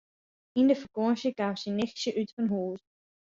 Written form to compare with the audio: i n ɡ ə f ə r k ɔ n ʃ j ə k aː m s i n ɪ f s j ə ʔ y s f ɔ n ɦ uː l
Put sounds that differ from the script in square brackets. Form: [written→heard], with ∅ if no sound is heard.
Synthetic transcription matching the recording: i n [ɡ→d] ə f ə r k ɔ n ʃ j ə k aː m s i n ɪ [f→x] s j ə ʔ y [s→t] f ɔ n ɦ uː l